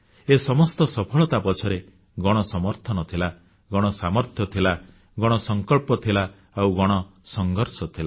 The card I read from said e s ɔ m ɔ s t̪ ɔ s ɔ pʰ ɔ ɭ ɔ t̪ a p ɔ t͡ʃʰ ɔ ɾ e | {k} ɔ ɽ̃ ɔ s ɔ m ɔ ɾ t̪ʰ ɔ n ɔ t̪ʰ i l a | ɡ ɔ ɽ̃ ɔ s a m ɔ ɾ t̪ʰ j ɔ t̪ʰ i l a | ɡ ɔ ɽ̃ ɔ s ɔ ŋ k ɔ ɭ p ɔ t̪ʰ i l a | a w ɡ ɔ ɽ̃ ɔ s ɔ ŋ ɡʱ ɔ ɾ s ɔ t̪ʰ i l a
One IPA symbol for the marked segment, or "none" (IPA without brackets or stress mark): ɡ